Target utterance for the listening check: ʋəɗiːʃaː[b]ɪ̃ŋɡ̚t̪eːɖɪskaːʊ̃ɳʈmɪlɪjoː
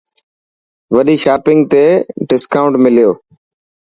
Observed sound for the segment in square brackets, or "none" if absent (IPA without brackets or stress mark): p